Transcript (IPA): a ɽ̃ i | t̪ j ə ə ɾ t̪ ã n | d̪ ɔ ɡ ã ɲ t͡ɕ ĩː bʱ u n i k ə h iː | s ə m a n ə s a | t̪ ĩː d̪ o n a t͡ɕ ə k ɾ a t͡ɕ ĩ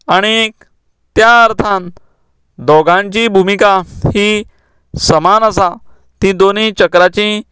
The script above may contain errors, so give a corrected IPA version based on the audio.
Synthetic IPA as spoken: a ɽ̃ i | t̪ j a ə ɾ t̪ʰ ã n | d̪ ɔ ɡ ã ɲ t͡ɕ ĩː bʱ u m i k a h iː | s ə m a n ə s a | t̪ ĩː d̪ o n i t͡ɕ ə k ɾ a t͡ɕ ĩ